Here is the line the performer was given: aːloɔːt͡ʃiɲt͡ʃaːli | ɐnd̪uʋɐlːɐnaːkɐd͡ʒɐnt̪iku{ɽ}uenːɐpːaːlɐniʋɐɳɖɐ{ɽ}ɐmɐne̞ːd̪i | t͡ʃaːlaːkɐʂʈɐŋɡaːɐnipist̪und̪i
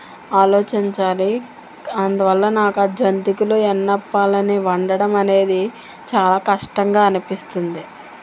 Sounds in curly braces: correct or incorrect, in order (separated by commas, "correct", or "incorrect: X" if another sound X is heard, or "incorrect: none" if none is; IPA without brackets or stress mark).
incorrect: l, correct